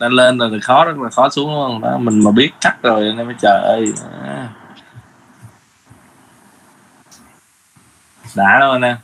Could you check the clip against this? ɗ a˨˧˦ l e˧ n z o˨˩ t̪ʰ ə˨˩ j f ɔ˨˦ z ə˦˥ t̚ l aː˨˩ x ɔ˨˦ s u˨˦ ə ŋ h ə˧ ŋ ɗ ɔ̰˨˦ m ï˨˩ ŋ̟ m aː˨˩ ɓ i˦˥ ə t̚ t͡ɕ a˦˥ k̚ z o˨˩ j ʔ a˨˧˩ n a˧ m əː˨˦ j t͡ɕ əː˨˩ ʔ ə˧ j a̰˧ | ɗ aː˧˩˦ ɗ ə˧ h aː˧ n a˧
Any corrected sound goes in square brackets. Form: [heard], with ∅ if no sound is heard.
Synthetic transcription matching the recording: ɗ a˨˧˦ l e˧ n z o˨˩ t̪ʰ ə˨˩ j [x] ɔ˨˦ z ə˦˥ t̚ l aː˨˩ x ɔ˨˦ s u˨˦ ə ŋ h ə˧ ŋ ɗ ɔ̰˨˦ m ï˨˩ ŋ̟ m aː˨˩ ɓ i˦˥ ə t̚ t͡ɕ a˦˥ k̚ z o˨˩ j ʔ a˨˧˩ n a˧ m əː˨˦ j t͡ɕ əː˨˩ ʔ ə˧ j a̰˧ | ɗ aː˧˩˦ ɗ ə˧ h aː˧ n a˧